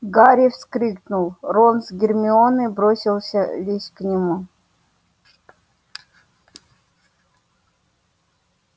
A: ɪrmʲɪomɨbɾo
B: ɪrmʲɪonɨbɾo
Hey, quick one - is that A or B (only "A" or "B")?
B